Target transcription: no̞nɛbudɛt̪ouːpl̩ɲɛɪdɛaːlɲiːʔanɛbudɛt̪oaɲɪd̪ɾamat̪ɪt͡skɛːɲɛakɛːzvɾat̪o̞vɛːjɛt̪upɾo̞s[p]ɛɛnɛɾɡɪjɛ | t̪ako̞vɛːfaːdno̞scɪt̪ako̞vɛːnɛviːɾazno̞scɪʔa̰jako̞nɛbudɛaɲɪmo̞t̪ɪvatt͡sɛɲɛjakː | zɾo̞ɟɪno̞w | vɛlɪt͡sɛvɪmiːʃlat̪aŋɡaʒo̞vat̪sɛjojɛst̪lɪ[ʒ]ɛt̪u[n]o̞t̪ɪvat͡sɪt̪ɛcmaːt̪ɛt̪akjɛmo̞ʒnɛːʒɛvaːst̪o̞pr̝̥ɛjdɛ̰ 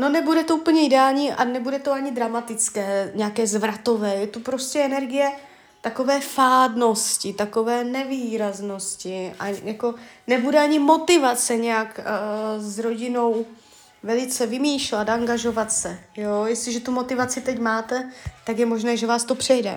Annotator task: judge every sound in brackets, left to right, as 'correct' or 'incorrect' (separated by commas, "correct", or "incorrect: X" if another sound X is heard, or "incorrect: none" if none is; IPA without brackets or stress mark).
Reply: incorrect: c, correct, incorrect: m